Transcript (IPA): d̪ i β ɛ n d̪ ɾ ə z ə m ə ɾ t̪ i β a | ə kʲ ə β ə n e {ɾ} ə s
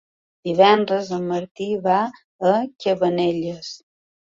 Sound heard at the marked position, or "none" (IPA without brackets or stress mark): ʎ